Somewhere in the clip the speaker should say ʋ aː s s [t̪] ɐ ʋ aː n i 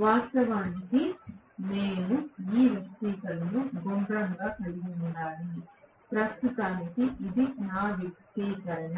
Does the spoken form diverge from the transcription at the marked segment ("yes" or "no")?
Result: no